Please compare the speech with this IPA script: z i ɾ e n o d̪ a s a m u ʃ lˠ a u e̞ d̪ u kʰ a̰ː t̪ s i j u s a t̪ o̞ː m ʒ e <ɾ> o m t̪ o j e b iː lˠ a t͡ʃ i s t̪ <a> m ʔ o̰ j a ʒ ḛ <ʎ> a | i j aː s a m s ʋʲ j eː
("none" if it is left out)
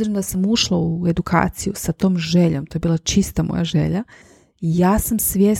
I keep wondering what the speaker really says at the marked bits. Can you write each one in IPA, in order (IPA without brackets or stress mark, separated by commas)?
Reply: ʎ, a, ʎ